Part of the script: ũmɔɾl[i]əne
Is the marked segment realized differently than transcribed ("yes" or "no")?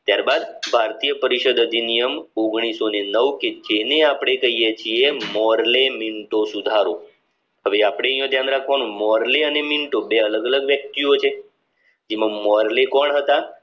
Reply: yes